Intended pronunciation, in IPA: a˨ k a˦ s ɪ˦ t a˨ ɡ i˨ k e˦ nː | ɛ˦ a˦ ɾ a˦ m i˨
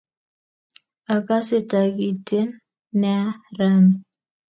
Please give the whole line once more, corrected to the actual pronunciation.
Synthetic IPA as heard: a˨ k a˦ s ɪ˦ t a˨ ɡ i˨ t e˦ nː | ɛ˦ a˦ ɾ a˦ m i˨